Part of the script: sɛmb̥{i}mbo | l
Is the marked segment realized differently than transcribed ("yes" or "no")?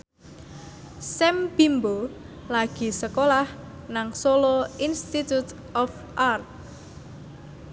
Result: no